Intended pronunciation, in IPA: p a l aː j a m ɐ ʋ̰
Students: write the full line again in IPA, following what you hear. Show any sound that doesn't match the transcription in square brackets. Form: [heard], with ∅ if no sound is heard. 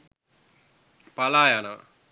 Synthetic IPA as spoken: p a l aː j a [n] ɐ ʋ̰